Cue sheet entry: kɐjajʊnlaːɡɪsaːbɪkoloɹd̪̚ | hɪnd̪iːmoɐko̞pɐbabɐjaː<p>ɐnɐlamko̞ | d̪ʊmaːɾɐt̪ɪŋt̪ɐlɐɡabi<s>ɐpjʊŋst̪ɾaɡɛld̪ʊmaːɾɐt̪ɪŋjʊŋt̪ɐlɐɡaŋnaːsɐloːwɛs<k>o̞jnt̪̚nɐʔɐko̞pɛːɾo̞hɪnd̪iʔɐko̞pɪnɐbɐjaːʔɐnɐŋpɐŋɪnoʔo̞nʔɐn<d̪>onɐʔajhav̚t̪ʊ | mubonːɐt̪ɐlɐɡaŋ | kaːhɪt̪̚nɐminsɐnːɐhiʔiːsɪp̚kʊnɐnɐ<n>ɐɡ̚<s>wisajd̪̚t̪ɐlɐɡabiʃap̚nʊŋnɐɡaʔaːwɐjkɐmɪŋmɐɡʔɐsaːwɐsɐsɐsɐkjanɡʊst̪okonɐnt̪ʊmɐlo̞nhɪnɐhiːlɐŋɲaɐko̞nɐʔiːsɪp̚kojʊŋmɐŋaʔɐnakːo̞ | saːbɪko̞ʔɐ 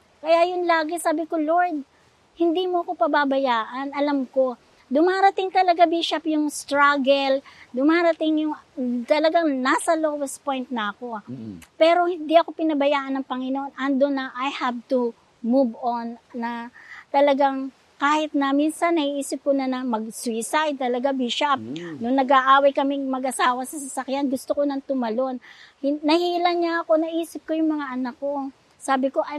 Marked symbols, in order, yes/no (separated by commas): no, no, no, yes, no, yes